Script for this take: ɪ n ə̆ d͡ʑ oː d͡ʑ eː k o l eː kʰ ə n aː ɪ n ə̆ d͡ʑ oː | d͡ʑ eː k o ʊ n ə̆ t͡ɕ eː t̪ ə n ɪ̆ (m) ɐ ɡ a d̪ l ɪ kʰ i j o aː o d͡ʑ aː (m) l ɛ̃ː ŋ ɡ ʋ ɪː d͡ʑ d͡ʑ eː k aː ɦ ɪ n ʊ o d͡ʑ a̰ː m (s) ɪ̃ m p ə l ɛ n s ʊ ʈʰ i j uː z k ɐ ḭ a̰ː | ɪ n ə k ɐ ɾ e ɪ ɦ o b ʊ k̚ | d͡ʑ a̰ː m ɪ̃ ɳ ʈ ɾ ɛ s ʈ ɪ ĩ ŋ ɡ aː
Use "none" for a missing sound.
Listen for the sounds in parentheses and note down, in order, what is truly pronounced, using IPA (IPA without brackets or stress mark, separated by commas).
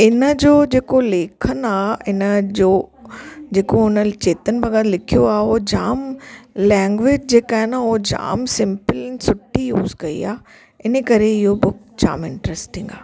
b, m, s